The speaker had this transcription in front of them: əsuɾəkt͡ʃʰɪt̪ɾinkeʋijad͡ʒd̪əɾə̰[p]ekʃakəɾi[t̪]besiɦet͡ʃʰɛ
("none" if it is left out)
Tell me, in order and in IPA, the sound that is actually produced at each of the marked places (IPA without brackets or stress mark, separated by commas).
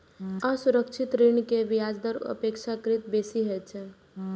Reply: p, t̪